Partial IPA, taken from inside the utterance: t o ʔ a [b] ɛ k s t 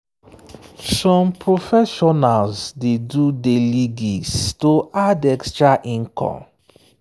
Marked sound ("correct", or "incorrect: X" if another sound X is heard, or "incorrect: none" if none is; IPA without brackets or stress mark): incorrect: d